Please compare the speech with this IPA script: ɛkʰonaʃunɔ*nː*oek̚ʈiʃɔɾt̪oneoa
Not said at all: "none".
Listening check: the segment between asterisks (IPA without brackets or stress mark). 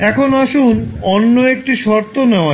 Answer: nː